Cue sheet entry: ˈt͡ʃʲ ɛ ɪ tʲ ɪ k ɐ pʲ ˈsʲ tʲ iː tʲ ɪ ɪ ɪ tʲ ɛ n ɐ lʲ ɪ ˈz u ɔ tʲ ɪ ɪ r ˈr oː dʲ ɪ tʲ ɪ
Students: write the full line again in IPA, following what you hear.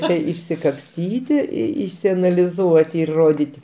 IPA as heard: ˈt͡ʃʲ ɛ ɪ sʲ ɪ k ɐ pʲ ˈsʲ tʲ iː tʲ ɪ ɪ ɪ sʲ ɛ n ɐ lʲ ɪ ˈz u ɔ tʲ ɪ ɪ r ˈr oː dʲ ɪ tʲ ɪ